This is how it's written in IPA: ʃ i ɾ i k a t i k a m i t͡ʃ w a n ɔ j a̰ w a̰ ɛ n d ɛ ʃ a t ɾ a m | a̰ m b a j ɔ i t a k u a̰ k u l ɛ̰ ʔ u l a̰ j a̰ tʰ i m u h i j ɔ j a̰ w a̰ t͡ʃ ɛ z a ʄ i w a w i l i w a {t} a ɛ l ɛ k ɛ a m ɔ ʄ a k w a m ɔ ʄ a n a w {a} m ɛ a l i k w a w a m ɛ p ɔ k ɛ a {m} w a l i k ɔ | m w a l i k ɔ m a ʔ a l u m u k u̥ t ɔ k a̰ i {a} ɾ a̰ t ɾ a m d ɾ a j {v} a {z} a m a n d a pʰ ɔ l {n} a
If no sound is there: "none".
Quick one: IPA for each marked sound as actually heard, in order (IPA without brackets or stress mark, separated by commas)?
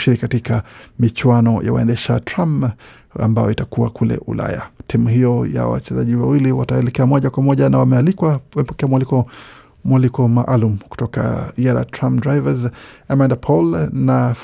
t, a, m, a, v, z, n